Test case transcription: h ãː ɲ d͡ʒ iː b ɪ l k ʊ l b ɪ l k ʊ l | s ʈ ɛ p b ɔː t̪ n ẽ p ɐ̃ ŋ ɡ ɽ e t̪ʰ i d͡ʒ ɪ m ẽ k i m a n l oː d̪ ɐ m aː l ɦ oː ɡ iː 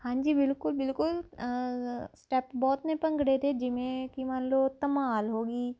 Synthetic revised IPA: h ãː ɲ d͡ʒ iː b ɪ l k ʊ l b ɪ l k ʊ l | s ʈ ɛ p b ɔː t̪ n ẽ p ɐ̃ ŋ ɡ ɽ e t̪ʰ e d͡ʒ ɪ m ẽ k i m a n l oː t̪ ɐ m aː l ɦ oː ɡ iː